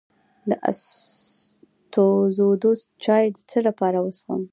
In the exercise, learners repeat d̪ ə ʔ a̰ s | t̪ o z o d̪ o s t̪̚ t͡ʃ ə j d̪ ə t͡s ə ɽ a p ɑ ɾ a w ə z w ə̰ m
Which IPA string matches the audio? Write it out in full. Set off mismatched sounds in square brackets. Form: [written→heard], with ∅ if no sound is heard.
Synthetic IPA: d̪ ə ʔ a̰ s | t̪ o z o d̪ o s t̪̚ t͡ʃ [ə→ɑ] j d̪ ə t͡s ə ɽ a p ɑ ɾ a w ə [z→s] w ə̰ m

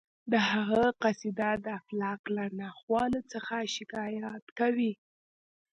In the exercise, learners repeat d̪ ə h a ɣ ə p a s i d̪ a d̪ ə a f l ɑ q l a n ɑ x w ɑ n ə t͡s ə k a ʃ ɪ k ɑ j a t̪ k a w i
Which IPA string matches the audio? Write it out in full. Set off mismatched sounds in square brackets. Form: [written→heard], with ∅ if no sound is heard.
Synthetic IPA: d̪ ə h a ɣ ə [p→q] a s i d̪ a d̪ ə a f l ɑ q l a n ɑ x w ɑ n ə t͡s ə [k→x] a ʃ ɪ k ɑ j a t̪ k a w i

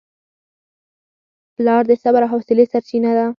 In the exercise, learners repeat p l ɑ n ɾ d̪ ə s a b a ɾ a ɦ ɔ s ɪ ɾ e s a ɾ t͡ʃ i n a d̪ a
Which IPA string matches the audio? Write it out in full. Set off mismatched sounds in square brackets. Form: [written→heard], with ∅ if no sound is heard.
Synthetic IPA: p l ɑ [n→∅] ɾ d̪ ə s a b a ɾ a ɦ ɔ s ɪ [ɾ→l] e s a ɾ t͡ʃ i n a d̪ a

